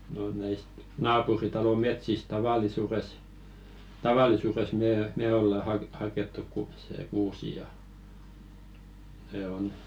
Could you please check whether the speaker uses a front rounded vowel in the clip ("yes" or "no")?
no